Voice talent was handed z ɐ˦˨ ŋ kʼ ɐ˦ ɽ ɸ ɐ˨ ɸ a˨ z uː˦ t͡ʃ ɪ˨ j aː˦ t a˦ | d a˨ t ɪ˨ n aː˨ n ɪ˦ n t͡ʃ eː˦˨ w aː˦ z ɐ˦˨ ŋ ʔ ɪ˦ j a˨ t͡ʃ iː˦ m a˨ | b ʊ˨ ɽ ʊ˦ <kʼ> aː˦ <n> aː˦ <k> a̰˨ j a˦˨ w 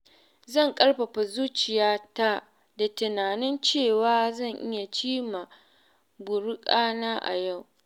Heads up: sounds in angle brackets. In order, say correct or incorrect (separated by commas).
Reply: correct, correct, incorrect